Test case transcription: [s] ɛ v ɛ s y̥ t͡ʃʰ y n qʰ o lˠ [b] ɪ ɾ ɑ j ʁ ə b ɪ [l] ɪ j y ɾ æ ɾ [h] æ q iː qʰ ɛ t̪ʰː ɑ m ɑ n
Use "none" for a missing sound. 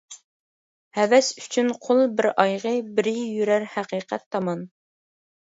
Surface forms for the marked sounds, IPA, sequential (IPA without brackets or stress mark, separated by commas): h, b, ɾ, h